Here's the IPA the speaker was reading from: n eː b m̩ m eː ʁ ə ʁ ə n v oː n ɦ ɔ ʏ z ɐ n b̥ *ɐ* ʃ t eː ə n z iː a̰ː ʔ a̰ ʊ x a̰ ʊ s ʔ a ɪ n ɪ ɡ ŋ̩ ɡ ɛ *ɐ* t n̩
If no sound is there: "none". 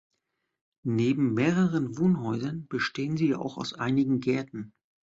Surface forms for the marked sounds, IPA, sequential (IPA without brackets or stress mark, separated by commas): ə, ɐ